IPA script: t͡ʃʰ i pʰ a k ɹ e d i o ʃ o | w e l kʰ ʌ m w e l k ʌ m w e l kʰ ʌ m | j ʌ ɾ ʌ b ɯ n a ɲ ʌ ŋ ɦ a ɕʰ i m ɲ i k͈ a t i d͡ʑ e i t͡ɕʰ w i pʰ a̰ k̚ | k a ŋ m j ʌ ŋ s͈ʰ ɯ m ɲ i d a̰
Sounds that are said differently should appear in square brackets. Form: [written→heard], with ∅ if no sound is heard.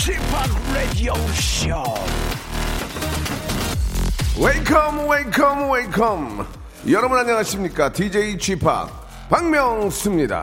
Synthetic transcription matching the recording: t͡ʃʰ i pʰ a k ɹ e d i o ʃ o | w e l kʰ ʌ m w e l [k→kʰ] ʌ m w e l kʰ ʌ m | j ʌ ɾ ʌ b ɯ n a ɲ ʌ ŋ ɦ a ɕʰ i m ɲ i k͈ a t i d͡ʑ e i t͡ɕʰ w i pʰ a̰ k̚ | [k→p] a ŋ m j ʌ ŋ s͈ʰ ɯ m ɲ i d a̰